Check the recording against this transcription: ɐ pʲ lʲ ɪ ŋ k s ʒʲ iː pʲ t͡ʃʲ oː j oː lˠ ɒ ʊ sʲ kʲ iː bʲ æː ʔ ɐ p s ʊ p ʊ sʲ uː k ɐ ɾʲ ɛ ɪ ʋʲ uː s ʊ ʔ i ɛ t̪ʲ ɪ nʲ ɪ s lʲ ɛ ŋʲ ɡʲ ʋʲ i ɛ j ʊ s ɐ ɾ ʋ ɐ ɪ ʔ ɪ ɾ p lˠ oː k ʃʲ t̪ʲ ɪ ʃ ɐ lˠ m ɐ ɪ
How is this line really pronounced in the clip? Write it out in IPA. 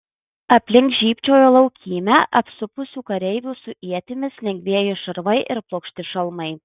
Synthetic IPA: ɐ pʲ lʲ ɪ ŋ k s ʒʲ iː pʲ t͡ʃʲ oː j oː lˠ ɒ ʊ kʲ iː mʲ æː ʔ ɐ p s ʊ p ʊ sʲ uː k ɐ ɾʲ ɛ ɪ ʋʲ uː s ʊ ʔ i ɛ t̪ʲ ɪ mʲ ɪ s lʲ ɛ ŋʲ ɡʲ ʋʲ i ɛ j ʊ ʃ ɐ ɾ ʋ ɐ ɪ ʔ ɪ ɾ p lˠ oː k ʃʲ t̪ʲ ɪ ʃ ɐ lˠ m ɐ ɪ